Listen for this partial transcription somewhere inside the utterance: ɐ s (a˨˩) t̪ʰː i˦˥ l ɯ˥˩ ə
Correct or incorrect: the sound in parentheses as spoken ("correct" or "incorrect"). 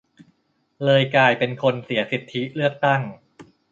incorrect